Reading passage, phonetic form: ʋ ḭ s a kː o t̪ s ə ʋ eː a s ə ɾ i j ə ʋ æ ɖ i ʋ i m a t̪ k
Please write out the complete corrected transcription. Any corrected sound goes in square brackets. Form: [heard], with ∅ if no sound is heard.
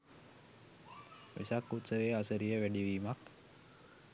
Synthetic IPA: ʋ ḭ s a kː [u] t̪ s ə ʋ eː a s ə ɾ i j ə ʋ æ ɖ i ʋ [iː] m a [∅] k